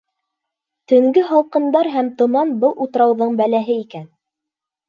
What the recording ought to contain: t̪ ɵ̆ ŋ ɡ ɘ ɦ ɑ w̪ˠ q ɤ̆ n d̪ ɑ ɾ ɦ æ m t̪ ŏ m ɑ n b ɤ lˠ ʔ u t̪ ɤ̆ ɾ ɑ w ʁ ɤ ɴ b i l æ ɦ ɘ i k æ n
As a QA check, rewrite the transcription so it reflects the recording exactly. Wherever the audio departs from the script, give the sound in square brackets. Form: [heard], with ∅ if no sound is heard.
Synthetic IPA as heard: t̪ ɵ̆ ŋ ɡ ɘ ɦ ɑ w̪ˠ q ɤ̆ n d̪ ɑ ɾ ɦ æ m t̪ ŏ m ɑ n b ɤ lˠ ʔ u t̪ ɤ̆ ɾ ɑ w [ð] ɤ ɴ b [æ] l æ ɦ ɘ i k æ n

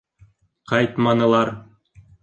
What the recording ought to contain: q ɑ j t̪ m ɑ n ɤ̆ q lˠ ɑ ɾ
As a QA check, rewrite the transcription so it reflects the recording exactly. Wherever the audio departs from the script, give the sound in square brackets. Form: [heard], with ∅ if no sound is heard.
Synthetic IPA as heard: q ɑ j t̪ m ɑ n ɤ̆ [∅] lˠ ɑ ɾ

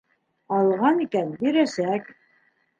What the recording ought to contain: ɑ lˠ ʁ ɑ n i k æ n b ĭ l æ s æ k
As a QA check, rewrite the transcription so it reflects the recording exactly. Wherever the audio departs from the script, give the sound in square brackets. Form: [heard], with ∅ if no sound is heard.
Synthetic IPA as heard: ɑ lˠ ʁ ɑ n i k æ n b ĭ [ɾ] æ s æ k

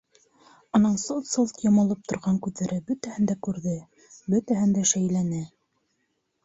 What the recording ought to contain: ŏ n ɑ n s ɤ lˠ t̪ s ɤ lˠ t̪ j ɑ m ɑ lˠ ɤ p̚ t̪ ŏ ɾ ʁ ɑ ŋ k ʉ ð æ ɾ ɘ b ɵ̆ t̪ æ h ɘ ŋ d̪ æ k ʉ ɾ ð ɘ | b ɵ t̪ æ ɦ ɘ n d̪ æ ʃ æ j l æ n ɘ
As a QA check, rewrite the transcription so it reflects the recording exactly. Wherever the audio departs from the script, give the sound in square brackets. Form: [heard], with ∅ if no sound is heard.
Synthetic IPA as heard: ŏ n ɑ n s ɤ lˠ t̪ s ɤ lˠ t̪ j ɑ m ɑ lˠ ɤ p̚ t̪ ŏ ɾ ʁ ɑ ŋ k ʉ ð æ ɾ ɘ b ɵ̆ t̪ æ h ɘ [n] d̪ æ k ʉ ɾ ð ɘ | b ɵ t̪ æ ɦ ɘ n d̪ æ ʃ æ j l æ n ɘ

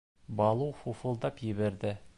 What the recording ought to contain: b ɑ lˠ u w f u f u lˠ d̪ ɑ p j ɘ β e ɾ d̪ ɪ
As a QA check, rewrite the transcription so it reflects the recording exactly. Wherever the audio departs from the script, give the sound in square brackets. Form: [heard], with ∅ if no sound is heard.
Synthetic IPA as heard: b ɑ lˠ u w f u f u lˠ d̪ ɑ p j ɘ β e ɾ d̪ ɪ

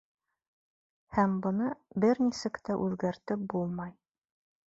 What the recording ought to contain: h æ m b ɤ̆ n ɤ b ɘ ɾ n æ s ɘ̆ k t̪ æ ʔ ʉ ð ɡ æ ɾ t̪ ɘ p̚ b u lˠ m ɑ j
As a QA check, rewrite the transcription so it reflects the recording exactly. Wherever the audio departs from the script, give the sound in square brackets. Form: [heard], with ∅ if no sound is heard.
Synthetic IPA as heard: h æ m b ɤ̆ n ɤ b ɘ ɾ n [i] s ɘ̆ k t̪ æ ʔ ʉ ð ɡ æ ɾ t̪ ɘ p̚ b u lˠ m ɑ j

